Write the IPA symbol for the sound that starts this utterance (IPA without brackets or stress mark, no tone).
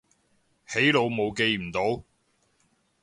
h